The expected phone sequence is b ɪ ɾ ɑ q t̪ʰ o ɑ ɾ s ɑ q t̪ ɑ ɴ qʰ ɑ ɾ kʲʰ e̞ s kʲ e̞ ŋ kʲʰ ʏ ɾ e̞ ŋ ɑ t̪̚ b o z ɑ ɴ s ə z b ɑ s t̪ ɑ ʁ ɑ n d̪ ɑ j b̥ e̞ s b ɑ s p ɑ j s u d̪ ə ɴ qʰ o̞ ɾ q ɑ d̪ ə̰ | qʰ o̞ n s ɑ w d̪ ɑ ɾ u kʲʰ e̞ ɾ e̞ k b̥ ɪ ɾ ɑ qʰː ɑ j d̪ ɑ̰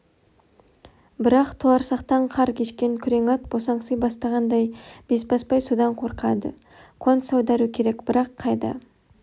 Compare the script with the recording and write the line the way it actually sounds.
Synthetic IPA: b ɪ ɾ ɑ q t̪ʰ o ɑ ɾ s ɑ q t̪ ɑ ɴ qʰ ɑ ɾ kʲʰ e̞ ʃ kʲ e̞ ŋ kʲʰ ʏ ɾ e̞ ŋ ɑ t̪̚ b o s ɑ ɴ s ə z b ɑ s t̪ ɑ ʁ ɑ n d̪ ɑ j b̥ e̞ s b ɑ s p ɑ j s u d̪ ɑ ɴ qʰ o̞ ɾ q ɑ d̪ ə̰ | qʰ o̞ n s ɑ w d̪ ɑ ɾ u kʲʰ e̞ ɾ e̞ k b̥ ɪ ɾ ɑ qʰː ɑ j d̪ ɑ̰